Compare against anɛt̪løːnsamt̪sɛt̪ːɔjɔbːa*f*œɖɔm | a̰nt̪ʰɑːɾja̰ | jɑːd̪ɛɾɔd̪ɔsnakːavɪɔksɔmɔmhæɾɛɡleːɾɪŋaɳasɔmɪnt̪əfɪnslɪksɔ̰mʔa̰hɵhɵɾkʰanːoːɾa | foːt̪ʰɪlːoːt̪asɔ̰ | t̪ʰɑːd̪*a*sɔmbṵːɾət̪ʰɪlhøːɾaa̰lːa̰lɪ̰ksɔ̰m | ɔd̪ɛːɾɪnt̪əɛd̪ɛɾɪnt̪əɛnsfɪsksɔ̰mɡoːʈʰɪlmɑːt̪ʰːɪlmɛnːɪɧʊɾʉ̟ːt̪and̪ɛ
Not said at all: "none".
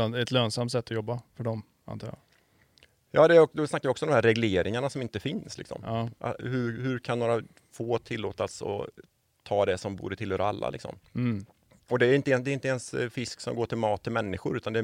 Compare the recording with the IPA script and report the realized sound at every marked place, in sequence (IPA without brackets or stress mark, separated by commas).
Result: f, ɛ